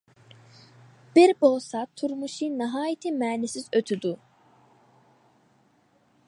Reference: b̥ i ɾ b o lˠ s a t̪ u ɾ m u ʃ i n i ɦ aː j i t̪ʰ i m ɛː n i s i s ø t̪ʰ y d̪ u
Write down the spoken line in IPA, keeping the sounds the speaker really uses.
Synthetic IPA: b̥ i ɾ b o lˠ s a t̪ʰ u ɾ m u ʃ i n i ɦ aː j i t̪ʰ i m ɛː n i s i z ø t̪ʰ y d̪ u